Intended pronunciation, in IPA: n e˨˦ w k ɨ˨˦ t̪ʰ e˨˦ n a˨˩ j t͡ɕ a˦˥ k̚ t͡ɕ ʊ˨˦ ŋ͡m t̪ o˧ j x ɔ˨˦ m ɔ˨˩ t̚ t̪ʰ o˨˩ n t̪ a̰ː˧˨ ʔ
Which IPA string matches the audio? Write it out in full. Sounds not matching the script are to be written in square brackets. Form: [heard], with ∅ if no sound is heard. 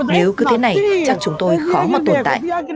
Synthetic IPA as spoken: n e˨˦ w k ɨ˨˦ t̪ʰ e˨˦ n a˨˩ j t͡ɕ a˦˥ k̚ t͡ɕ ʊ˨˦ ŋ͡m t̪ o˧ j x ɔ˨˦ m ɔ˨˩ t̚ [t̪] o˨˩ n t̪ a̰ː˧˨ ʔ